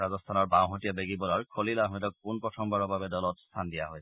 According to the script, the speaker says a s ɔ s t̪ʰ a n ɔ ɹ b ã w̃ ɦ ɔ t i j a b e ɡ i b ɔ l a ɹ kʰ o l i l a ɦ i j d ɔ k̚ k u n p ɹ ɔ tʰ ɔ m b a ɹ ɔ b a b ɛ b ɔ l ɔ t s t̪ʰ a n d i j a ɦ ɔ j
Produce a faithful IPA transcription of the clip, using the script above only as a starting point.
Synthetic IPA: a z ɔ s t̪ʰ a n ɔ ɹ b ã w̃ ɦ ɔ t i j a b e ɡ i b ɔ l a ɹ kʰ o l i l a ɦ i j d ɔ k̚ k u n p ɹ ɔ tʰ ɔ m b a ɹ ɔ b a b ɛ d ɔ l ɔ t s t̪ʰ a n d i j a ɦ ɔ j